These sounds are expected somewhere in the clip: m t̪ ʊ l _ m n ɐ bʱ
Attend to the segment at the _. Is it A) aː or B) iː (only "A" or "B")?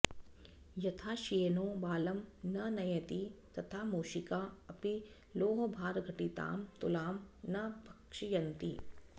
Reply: A